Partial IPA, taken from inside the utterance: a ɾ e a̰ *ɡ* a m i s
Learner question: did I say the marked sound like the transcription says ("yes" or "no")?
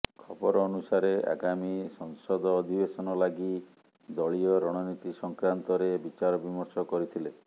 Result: yes